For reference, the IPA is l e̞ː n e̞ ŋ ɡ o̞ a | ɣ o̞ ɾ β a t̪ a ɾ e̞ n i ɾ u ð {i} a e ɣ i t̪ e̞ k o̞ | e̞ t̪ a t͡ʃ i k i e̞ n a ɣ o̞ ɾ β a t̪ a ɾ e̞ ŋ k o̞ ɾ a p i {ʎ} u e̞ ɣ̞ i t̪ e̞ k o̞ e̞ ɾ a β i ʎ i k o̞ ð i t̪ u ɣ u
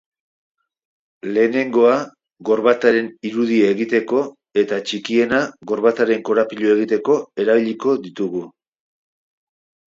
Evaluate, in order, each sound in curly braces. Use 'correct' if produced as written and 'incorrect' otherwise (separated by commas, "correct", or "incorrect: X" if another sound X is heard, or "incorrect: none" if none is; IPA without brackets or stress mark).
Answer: correct, correct